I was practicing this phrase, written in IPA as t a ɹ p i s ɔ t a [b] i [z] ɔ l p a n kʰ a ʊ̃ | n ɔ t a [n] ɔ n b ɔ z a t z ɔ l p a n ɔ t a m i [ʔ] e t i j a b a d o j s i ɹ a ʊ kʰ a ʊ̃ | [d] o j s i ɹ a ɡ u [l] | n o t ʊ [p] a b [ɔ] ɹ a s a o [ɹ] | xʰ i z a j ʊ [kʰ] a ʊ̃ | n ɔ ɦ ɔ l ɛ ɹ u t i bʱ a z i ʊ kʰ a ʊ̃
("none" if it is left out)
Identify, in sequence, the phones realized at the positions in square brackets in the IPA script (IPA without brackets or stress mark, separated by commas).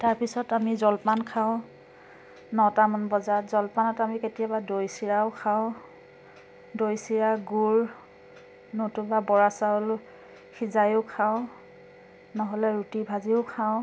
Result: m, z, m, k, d, ɹ, b, ɔ, l, kʰ